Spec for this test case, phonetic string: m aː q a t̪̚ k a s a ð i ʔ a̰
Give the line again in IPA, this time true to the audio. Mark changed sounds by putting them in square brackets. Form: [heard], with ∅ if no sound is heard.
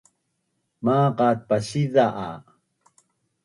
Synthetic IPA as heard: m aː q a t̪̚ [p] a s [i] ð [a] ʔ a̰